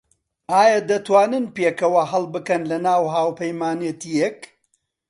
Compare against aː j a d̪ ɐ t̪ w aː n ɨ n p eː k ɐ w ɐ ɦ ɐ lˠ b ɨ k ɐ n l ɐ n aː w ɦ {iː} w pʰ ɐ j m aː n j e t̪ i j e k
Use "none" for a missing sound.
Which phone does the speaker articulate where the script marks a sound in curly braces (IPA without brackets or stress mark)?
aː